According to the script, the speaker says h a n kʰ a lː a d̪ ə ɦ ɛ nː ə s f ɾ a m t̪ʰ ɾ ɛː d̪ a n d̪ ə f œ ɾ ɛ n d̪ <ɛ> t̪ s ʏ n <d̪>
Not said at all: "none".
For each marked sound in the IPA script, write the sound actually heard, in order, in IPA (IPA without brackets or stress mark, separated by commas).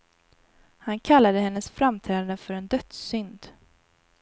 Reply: œ, d̪